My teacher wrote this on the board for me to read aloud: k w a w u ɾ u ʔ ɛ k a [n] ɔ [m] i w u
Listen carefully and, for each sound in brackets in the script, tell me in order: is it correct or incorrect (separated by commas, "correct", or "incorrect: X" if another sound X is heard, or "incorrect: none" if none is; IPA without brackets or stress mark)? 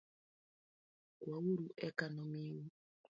correct, correct